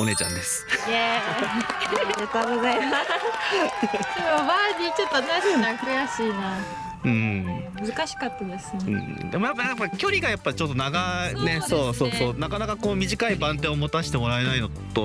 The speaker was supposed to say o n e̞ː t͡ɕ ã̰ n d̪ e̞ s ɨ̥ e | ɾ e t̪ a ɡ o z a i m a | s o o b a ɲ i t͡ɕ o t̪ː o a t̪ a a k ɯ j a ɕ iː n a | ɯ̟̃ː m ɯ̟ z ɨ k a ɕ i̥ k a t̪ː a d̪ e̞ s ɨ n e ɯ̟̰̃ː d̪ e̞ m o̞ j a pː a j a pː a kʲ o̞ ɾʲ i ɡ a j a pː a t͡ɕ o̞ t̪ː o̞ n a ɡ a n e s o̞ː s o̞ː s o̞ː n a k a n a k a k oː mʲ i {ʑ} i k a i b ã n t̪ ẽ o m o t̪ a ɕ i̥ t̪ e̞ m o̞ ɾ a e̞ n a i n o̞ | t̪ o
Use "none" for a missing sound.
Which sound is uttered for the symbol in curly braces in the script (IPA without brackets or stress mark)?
ʑ